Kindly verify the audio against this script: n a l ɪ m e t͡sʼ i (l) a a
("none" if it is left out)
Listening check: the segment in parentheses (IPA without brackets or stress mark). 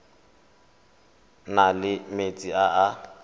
none